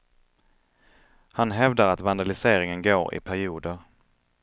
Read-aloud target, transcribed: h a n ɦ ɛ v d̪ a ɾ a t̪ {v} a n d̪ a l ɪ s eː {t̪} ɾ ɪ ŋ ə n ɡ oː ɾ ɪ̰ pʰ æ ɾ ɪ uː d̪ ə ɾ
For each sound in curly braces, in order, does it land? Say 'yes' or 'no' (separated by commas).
yes, no